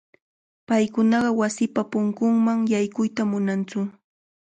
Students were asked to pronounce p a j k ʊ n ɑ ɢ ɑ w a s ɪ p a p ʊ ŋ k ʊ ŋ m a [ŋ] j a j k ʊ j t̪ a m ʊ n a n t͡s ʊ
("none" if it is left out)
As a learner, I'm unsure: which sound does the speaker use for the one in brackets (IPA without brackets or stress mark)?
ŋ